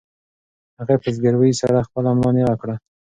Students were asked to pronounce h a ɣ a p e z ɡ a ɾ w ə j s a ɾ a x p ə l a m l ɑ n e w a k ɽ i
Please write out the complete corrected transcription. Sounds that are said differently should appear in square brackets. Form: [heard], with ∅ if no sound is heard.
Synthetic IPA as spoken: h a ɣ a p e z ɡ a ɾ w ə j s a ɾ a x p ə l a m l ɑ n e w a k ɽ [a]